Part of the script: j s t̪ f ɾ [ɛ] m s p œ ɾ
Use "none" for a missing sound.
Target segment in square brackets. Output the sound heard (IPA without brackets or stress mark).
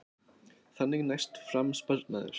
a